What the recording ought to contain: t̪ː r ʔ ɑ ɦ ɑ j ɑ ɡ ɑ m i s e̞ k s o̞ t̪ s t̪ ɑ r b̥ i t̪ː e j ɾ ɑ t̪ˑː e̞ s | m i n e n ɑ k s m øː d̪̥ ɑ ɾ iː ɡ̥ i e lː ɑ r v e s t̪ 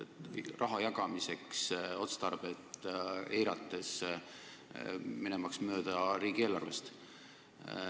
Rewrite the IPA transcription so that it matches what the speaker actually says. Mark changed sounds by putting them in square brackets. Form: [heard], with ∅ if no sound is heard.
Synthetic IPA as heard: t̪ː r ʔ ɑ ɦ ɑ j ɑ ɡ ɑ m i s e̞ k s o̞ t̪ s t̪ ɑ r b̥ [e] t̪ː e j ɾ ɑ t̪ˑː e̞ s | m i n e [m] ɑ k s m øː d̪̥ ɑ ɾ iː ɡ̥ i e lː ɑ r v e s t̪